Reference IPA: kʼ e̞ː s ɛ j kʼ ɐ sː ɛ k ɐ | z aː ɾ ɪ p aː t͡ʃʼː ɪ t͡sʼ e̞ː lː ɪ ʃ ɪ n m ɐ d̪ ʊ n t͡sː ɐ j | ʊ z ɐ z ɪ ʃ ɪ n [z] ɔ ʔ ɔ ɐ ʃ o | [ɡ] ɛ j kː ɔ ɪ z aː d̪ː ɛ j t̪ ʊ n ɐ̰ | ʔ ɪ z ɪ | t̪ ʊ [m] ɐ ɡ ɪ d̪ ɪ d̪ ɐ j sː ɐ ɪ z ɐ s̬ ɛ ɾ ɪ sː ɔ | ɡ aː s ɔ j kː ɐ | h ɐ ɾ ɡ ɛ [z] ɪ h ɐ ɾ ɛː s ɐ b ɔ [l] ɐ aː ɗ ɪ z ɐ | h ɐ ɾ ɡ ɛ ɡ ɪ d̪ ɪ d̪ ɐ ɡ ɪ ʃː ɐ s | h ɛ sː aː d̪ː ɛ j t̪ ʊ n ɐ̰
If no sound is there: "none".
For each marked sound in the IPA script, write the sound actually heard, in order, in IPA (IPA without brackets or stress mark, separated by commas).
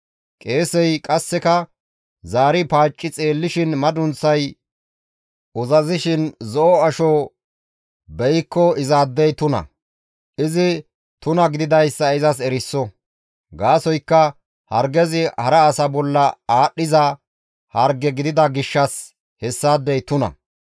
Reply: z, b, n, z, lː